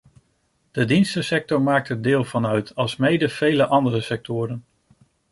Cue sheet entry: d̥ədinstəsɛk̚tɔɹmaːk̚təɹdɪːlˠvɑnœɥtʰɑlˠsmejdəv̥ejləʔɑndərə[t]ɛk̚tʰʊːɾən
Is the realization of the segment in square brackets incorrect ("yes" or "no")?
yes